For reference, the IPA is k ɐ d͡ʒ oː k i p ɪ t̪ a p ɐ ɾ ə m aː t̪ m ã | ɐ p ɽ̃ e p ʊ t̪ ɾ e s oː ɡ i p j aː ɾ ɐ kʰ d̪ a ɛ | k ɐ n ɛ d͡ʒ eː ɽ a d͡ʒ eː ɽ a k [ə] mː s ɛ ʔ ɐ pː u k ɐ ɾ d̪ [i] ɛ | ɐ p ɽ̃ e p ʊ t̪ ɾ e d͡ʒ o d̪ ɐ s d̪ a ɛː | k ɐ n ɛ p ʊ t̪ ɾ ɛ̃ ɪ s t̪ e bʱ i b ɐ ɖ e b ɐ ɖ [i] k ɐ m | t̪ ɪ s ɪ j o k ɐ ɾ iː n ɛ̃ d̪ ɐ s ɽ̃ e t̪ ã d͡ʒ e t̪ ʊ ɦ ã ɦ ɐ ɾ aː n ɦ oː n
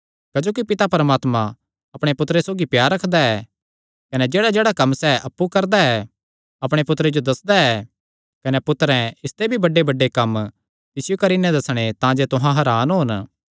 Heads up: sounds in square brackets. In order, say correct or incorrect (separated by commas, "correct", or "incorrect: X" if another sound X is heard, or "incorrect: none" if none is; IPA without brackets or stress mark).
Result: incorrect: ɐ, incorrect: a, incorrect: e